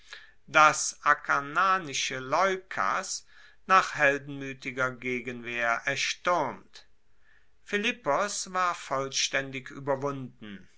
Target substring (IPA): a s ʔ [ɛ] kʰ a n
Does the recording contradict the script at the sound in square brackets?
yes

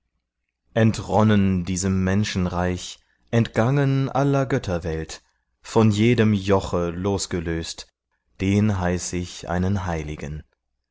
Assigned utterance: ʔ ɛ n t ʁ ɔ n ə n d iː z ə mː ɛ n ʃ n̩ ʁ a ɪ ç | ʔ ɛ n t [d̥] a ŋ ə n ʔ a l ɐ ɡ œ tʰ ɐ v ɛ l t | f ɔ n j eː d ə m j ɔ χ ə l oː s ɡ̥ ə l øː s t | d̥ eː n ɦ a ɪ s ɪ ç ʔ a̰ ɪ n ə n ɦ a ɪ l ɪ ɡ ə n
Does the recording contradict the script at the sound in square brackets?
yes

